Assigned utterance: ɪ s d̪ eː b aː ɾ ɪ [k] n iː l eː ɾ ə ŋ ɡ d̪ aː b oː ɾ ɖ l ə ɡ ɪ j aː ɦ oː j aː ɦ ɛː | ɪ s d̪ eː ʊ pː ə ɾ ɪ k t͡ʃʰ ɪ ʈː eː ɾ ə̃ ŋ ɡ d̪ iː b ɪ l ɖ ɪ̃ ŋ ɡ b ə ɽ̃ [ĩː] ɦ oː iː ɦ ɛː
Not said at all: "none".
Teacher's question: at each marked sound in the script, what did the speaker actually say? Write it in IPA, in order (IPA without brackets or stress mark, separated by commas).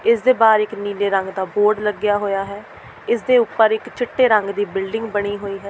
k, iː